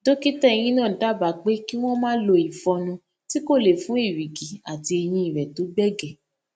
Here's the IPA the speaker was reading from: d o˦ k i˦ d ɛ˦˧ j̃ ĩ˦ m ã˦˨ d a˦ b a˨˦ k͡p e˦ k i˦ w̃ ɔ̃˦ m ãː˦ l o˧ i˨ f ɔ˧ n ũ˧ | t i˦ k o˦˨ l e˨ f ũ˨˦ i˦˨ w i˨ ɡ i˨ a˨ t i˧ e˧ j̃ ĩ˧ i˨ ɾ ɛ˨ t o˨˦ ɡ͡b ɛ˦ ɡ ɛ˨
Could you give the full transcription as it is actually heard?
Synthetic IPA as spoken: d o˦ k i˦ t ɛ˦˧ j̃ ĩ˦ n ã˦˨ d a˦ b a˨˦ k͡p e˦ k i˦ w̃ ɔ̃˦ m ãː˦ l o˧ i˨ f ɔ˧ n ũ˧ | t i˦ k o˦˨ l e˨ f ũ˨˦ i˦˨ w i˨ ɡ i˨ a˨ t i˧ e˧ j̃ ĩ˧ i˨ ɾ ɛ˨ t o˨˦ ɡ͡b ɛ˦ ɡ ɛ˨